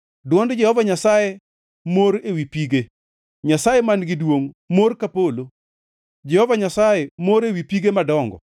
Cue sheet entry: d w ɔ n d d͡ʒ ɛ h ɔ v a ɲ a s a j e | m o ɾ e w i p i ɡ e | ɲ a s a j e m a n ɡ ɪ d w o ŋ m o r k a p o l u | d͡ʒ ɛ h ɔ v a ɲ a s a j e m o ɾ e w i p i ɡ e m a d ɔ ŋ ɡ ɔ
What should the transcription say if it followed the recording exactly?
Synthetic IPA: d w ɔ n d d͡ʒ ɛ h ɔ v a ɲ a s a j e | m o ɾ e w i p i ɡ e | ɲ a s a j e m a n ɡ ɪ d w o ŋ m o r k a p o l o | d͡ʒ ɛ h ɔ v a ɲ a s a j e m o ɾ e w i p i ɡ e m a d ɔ ŋ ɡ ɔ